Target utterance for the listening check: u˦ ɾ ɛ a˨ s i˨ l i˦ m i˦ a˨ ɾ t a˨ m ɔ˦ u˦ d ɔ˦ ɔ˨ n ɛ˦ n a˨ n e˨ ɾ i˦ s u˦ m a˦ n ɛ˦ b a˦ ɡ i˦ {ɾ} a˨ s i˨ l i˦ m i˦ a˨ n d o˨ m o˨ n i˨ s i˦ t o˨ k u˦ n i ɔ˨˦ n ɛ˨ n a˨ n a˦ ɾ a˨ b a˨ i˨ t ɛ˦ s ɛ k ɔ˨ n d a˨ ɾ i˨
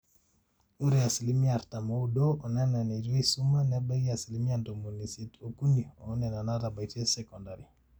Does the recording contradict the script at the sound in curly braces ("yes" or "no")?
yes